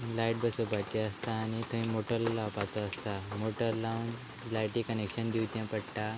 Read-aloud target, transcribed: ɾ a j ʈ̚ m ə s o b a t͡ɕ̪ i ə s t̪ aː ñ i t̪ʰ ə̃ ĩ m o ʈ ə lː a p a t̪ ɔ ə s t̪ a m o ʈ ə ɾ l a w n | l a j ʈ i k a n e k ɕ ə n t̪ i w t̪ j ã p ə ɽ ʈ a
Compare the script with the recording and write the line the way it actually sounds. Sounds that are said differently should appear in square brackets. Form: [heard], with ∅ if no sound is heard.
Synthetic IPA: [l] a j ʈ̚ [b] ə s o b a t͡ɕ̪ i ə s t̪ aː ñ i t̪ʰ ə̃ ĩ m o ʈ ə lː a p a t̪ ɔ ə s t̪ a m o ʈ ə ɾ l a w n | l a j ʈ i k [ə] n e k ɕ ə n [d̪] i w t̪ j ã p ə ɽ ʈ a